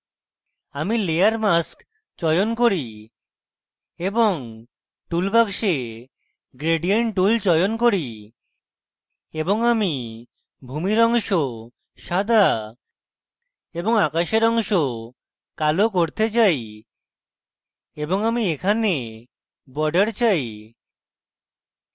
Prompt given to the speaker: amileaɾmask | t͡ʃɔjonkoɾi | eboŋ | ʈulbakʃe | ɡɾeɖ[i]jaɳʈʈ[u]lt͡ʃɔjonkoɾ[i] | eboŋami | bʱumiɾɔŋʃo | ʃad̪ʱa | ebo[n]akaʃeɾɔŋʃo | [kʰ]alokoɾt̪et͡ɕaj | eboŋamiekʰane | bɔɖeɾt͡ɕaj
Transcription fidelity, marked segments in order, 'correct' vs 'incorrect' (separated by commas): correct, correct, correct, incorrect, incorrect